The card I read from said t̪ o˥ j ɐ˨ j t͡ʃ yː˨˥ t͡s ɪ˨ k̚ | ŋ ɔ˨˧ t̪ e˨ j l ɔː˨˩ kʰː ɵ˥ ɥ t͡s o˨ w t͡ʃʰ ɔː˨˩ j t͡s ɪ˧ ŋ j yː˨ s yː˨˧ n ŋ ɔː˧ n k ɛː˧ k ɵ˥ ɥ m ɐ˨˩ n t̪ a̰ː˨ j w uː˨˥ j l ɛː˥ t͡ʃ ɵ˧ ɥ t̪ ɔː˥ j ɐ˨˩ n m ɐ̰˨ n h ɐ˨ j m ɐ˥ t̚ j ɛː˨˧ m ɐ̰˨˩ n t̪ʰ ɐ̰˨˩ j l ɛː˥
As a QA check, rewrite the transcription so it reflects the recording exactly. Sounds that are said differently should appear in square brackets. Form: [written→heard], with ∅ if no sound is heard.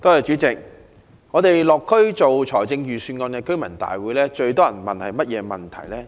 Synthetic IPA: t̪ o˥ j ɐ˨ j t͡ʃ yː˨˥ t͡s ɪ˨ k̚ | ŋ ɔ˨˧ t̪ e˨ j l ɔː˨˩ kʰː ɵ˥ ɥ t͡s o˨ w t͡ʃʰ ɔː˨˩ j t͡s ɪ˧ ŋ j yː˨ s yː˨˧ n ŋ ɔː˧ n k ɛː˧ k ɵ˥ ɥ m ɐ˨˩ n t̪ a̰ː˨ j w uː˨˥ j l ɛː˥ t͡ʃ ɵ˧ ɥ t̪ ɔː˥ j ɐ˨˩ n m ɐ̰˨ n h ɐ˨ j m ɐ˥ t̚ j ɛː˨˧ m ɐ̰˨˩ n t̪ʰ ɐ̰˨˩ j l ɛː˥